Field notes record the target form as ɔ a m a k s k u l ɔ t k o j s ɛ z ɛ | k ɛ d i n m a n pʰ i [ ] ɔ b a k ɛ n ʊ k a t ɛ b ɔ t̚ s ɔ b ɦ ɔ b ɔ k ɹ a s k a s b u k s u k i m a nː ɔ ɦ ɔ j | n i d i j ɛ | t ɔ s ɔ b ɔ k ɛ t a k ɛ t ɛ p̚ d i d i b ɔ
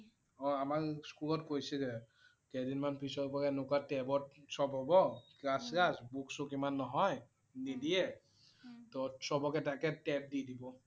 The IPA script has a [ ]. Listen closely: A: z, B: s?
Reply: B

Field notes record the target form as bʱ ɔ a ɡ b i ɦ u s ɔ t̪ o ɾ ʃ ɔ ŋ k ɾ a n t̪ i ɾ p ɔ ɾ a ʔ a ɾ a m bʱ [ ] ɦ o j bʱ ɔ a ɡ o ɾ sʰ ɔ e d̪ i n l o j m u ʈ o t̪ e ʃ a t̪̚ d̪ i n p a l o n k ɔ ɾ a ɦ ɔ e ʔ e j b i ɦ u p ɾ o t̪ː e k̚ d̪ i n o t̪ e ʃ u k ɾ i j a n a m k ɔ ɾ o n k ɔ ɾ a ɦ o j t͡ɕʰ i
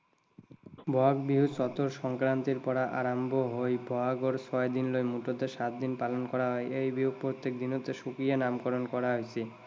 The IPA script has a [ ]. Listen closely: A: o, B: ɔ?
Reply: A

